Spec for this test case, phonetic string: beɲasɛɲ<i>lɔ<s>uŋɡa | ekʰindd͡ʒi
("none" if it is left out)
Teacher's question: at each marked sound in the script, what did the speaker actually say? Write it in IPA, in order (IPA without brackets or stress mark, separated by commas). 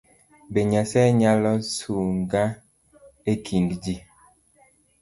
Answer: a, s